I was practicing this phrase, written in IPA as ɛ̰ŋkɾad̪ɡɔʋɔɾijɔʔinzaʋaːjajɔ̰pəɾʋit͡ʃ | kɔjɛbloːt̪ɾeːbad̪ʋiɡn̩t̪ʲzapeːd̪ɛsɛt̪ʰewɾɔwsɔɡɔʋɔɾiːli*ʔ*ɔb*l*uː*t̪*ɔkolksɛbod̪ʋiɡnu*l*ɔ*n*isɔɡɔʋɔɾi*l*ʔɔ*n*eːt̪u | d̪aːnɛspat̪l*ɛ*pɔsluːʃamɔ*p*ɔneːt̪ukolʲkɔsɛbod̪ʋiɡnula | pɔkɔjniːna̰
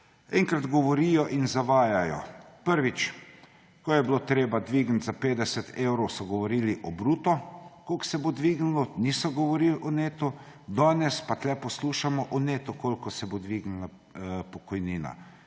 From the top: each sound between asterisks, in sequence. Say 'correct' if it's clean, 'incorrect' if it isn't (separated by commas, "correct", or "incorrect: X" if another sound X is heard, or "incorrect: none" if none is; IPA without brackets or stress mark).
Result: correct, incorrect: ɾ, correct, correct, correct, correct, correct, correct, incorrect: ʔ